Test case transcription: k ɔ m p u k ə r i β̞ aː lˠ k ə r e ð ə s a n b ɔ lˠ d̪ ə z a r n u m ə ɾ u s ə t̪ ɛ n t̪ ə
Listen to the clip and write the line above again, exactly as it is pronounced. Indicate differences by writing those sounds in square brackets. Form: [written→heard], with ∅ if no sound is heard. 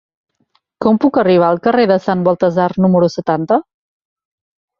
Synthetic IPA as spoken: k ɔ m p u k ə r i β̞ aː lˠ k ə r e ð ə s a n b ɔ lˠ [d̪→t̪] ə z a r n u m ə ɾ u s ə t̪ [ɛ→a] n t̪ ə